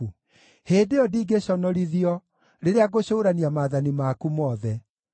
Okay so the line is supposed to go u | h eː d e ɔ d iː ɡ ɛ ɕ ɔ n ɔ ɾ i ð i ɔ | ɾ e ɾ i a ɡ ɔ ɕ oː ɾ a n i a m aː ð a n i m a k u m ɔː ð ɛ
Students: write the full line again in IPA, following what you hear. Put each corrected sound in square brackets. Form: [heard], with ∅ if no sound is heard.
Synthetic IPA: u | h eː d e ɔ d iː ɡ [e] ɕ ɔ n ɔ ɾ i ð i ɔ | ɾ e ɾ [e] a ɡ [o] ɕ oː ɾ a n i a m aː ð a n i m a k u m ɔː ð ɛ